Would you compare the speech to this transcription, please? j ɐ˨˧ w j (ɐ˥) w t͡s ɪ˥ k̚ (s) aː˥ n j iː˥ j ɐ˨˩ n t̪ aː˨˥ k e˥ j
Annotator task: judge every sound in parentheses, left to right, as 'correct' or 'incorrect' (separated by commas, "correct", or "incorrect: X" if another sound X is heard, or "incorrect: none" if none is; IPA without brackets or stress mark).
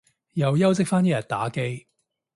correct, incorrect: f